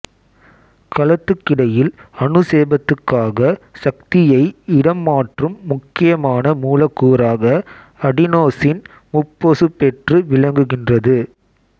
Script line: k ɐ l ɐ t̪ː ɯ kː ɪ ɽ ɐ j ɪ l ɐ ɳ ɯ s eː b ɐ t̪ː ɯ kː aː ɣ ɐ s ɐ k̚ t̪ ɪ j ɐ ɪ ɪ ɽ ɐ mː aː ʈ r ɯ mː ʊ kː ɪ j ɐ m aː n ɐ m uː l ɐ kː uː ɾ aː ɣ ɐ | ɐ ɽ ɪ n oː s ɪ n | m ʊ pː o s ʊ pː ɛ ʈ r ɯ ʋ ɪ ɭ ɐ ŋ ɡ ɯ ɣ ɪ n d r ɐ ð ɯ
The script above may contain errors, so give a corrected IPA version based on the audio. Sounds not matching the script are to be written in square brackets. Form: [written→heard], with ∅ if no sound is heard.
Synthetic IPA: k ɐ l ɐ t̪ː ɯ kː ɪ ɽ ɐ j ɪ l ɐ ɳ ɯ s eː b ɐ t̪ː ɯ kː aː ɣ ɐ s ɐ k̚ t̪ ɪ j ɐ ɪ ɪ ɽ ɐ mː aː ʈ r ɯ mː ʊ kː ɪ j ɐ m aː n ɐ m uː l ɐ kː uː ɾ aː ɣ ɐ | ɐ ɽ ɪ n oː s ɪ n | m ʊ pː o s [ʊ→ɯ] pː ɛ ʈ r ɯ ʋ ɪ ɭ ɐ ŋ ɡ ɯ ɣ ɪ n d r ɐ ð ɯ

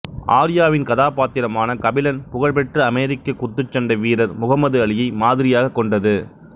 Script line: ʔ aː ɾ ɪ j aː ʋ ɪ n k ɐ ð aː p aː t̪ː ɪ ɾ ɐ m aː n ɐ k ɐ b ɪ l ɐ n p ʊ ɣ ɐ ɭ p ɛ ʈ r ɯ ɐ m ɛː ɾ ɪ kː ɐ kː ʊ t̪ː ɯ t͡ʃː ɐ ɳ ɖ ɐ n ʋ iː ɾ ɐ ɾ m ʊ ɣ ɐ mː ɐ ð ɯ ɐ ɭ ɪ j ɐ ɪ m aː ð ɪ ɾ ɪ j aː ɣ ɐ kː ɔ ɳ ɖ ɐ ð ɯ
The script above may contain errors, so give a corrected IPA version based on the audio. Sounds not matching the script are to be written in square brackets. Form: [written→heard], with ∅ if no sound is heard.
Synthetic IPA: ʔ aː ɾ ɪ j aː ʋ ɪ n k ɐ ð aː p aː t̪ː ɪ ɾ ɐ m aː n ɐ k ɐ b ɪ l ɐ n p ʊ ɣ ɐ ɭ p ɛ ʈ r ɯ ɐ m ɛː ɾ ɪ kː ɐ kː ʊ t̪ː ɯ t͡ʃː ɐ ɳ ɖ ɐ [n→∅] ʋ iː ɾ ɐ ɾ m ʊ ɣ ɐ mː ɐ ð ɯ ɐ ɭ ɪ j ɐ ɪ m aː ð ɪ ɾ ɪ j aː ɣ ɐ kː ɔ ɳ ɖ ɐ ð ɯ

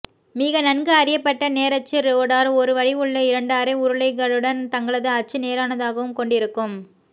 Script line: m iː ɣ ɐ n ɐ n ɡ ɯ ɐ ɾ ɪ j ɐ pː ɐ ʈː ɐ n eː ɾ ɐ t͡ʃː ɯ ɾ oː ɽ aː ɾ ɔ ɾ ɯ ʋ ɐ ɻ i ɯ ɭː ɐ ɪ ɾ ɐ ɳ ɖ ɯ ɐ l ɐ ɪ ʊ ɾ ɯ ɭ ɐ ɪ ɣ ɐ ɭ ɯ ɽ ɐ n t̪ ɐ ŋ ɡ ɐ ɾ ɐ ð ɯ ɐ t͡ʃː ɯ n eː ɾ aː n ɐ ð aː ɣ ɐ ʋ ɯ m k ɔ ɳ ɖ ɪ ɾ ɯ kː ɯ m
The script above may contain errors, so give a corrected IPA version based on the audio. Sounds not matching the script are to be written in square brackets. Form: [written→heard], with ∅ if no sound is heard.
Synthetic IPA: m iː ɣ ɐ n ɐ n ɡ ɯ ɐ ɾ ɪ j ɐ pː ɐ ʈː ɐ n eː ɾ ɐ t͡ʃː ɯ ɾ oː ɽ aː ɾ ɔ ɾ ɯ ʋ ɐ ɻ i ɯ ɭː ɐ ɪ ɾ ɐ ɳ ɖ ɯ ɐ [l→ɾ] ɐ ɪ ʊ ɾ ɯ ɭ ɐ ɪ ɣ ɐ ɭ ɯ ɽ ɐ n t̪ ɐ ŋ ɡ ɐ [ɾ→ɭ] ɐ ð ɯ ɐ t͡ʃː ɯ n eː ɾ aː n ɐ ð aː ɣ ɐ ʋ ɯ m k ɔ ɳ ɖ ɪ ɾ ɯ kː ɯ m

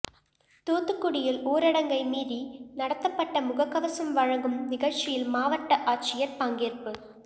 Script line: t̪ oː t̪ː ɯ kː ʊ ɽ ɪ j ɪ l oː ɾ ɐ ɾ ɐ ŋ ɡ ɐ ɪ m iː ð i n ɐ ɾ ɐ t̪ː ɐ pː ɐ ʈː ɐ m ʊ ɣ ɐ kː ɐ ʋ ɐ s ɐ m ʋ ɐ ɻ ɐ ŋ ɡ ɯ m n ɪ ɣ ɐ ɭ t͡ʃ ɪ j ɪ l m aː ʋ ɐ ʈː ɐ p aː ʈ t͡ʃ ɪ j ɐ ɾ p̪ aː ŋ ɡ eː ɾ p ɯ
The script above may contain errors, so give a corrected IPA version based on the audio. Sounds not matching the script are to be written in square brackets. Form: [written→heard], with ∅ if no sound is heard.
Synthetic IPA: t̪ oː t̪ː ɯ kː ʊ ɽ ɪ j ɪ l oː ɾ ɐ [ɾ→ɽ] ɐ ŋ ɡ ɐ ɪ m iː ð i n ɐ [ɾ→ɽ] ɐ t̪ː ɐ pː ɐ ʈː ɐ m ʊ ɣ ɐ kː ɐ ʋ ɐ s ɐ m ʋ ɐ ɻ ɐ ŋ ɡ ɯ m n ɪ ɣ ɐ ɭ t͡ʃ ɪ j ɪ l m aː ʋ ɐ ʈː ɐ [p→ʔ] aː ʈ t͡ʃ ɪ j ɐ ɾ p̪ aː ŋ ɡ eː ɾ p ɯ

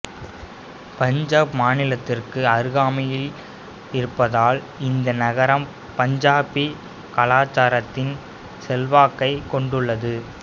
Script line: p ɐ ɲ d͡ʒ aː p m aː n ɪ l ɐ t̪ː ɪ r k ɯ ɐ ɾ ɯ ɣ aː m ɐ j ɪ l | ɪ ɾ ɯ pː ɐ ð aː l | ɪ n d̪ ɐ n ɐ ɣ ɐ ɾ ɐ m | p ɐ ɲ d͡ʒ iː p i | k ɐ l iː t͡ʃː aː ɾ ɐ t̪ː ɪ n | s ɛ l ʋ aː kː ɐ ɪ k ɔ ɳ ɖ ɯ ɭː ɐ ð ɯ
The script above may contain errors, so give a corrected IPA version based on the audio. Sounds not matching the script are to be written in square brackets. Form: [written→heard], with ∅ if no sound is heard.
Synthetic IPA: p ɐ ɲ d͡ʒ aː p m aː n ɪ l ɐ t̪ː ɪ r k ɯ ɐ ɾ ɯ ɣ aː m ɐ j ɪ l | ɪ ɾ ɯ pː ɐ ð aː l | ɪ n d̪ ɐ n ɐ ɣ ɐ ɾ ɐ m | p ɐ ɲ d͡ʒ [iː→aː] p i | k ɐ l [iː→aː] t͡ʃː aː ɾ ɐ t̪ː ɪ n | s ɛ l ʋ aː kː ɐ ɪ k ɔ ɳ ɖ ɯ ɭː ɐ ð ɯ

